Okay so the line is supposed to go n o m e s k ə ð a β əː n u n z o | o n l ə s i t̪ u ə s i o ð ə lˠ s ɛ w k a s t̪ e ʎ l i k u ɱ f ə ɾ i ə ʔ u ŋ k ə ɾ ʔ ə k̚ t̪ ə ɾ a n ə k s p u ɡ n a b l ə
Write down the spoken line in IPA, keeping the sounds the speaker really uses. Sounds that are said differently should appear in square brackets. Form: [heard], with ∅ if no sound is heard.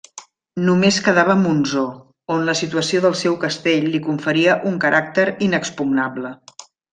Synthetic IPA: n [u] m e s k ə ð a β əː [m] u n z o | o n l ə s i t̪ u ə s i o ð ə lˠ s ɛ w k [ə] s t̪ e ʎ l i k u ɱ f ə ɾ i ə ʔ u ŋ k ə ɾ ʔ [a] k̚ t̪ ə ɾ [i] n ə k s p u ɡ n a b l ə

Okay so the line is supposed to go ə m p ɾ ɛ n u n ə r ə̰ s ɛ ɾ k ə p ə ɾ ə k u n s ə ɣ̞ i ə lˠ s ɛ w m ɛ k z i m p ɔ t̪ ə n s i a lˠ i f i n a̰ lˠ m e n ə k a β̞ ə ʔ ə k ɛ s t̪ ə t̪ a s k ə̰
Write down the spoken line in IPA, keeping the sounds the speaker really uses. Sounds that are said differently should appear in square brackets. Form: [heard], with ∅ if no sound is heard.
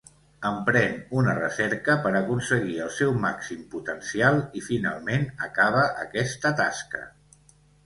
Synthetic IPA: ə m p ɾ ɛ n u n ə r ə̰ s ɛ ɾ k ə p ə ɾ ə k u n s ə ɣ̞ i ə lˠ s ɛ w m [a] k [s] i m p [u] t̪ ə n s i a lˠ i f i n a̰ lˠ m e n ə k a β̞ ə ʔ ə k ɛ s t̪ ə t̪ a s k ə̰

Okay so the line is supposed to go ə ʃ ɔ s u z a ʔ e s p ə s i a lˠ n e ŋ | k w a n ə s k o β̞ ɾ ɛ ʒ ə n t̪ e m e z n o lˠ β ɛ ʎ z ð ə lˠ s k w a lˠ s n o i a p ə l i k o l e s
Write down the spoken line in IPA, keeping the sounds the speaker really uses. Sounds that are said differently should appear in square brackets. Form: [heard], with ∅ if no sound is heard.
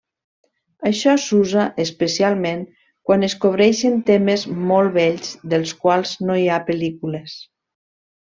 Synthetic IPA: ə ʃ ɔ s u z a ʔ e s p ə s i a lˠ [m] e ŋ | k w a n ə s k o β̞ ɾ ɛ [ʃ] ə n t̪ e m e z [m] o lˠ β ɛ ʎ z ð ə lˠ s k w a lˠ [z] n o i a p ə l i k [u] l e s

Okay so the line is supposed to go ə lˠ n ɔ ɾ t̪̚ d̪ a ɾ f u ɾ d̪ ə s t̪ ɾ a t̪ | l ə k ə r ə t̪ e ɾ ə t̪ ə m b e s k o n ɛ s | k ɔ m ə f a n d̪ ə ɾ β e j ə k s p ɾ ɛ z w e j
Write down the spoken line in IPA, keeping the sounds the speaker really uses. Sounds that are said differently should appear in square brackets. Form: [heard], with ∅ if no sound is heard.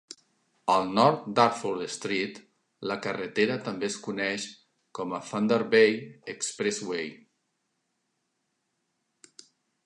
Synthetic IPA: ə lˠ n ɔ ɾ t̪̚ d̪ a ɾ f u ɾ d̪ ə s t̪ ɾ [i] t̪ | l ə k ə r ə t̪ e ɾ ə t̪ ə m b e s k [u] n ɛ [ʃ] | k ɔ m ə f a n d̪ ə ɾ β e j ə k s p ɾ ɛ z w e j

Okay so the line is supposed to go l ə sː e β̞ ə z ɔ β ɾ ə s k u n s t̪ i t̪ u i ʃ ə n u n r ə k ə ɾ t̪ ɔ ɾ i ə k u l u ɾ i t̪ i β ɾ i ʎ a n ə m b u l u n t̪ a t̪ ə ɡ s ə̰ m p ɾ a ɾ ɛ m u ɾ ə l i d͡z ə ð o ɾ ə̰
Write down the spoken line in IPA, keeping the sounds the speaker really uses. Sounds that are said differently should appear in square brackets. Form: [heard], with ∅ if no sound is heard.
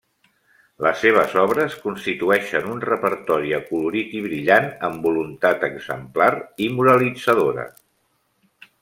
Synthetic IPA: l ə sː e β̞ ə z ɔ β ɾ ə s k u n s t̪ i t̪ u [ɛ] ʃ ə n u n r ə [p] ə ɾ t̪ ɔ ɾ i ə k u l u ɾ i t̪ i β ɾ i ʎ a n ə m b u l u n t̪ a t̪ ə ɡ [z] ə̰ m p [l] a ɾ [i] m u ɾ ə l i d͡z ə ð o ɾ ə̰

